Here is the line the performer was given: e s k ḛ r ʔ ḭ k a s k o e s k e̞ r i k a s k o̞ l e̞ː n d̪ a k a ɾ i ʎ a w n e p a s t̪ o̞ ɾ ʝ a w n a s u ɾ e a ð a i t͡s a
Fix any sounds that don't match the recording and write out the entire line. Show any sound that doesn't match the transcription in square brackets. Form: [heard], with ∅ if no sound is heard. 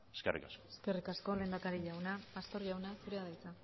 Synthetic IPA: e s k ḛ r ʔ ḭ k a s k o e s k e̞ r i k a s k o̞ l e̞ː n d̪ a k a ɾ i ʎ a w n [a] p a s t̪ o̞ ɾ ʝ a w n a s u ɾ e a ð a [j] t͡s a